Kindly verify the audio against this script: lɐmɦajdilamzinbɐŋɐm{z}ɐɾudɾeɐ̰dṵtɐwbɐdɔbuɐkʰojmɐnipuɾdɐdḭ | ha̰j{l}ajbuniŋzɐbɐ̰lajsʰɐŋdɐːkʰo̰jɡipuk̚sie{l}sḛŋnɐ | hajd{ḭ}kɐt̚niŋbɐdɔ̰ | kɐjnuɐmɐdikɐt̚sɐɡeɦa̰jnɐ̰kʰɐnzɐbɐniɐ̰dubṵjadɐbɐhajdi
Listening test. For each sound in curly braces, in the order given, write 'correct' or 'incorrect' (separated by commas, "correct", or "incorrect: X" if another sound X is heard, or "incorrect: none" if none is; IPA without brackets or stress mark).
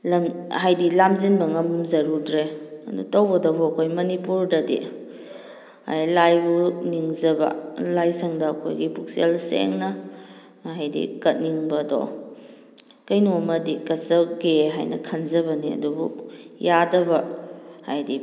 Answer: correct, correct, correct, correct